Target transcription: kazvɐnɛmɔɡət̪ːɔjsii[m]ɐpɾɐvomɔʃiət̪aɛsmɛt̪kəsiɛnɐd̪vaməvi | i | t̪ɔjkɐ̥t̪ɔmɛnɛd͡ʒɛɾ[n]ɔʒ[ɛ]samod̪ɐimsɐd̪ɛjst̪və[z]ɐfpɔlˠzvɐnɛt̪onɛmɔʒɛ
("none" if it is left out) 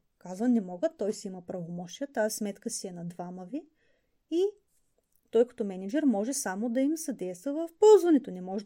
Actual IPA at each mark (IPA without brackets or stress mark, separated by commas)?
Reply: m, m, ɛ, v